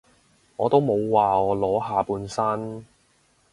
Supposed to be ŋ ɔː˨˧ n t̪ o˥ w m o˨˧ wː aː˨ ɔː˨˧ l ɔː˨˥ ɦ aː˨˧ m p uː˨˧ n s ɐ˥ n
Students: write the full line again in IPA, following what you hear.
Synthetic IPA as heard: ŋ ɔː˨˧ t̪ o˥ w m o˨˧ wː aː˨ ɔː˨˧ l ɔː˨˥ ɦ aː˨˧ p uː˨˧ n s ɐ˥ n